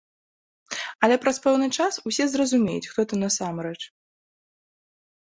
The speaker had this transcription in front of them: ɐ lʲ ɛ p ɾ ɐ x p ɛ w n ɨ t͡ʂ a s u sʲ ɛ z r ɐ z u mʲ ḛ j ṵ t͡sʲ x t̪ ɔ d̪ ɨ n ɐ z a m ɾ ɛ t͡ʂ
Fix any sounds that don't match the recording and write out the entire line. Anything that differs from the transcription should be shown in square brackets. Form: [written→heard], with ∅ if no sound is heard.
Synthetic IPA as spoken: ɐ lʲ ɛ p ɾ ɐ [x→s] p ɛ w n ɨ t͡ʂ a s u sʲ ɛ z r ɐ z u mʲ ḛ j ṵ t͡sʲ x t̪ ɔ [d̪→t̪] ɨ n ɐ [z→s] a m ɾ ɛ t͡ʂ